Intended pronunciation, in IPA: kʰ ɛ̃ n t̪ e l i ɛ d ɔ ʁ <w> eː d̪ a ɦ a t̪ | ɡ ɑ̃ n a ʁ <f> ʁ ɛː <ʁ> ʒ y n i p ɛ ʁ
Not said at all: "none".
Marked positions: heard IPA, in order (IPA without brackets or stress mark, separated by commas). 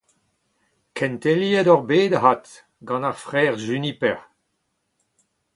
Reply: b, f, ʁ